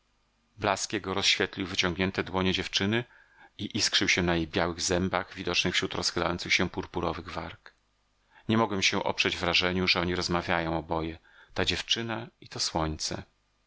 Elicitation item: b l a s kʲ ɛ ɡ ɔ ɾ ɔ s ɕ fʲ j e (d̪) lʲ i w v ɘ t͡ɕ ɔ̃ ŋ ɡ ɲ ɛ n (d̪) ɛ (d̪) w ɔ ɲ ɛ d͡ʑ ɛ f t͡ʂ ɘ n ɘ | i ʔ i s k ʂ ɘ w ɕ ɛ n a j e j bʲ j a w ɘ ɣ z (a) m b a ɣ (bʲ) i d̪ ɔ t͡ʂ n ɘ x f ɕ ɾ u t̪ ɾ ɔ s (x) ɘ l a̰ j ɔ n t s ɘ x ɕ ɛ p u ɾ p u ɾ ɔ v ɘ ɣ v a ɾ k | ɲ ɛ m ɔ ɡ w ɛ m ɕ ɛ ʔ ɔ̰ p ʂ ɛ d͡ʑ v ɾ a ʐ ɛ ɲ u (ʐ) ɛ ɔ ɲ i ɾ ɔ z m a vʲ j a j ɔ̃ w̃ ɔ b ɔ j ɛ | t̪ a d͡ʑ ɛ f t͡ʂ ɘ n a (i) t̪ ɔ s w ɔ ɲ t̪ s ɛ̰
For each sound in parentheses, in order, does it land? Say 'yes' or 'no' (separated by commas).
no, no, yes, no, no, yes, yes, yes